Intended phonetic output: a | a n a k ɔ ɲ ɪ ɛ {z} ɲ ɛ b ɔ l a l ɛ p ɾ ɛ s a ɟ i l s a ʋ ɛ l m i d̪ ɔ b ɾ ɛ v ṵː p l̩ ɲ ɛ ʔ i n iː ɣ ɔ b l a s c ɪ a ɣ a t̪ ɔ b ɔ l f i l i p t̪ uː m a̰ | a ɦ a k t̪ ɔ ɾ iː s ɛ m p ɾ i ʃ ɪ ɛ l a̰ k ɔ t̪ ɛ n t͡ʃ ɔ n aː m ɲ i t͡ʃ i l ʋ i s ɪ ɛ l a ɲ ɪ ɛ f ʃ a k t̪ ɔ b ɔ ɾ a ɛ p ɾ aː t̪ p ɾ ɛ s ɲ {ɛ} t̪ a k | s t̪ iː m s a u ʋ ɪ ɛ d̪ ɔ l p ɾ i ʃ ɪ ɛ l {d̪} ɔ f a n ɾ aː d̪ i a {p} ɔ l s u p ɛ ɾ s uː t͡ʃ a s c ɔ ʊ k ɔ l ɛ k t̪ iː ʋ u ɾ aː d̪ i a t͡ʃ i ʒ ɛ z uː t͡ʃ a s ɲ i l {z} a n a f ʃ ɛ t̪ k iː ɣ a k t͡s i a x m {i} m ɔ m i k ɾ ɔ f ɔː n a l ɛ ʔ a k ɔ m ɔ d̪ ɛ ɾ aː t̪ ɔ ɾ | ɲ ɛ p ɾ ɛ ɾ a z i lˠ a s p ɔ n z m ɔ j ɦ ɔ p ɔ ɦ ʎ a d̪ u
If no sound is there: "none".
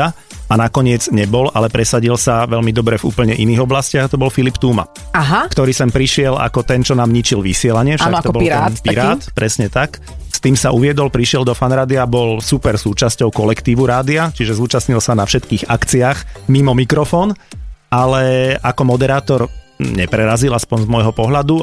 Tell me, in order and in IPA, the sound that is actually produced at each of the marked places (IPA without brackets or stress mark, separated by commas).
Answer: d͡z, ɛ, d̪, b, s, i